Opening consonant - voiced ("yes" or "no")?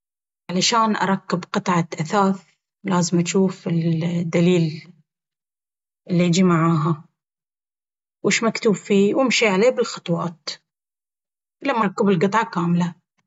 yes